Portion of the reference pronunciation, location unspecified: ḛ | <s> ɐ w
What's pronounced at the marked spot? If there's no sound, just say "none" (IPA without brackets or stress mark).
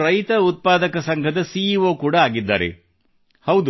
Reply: h